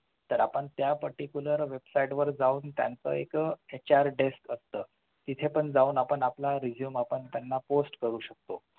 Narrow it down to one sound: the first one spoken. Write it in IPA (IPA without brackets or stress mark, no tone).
t̪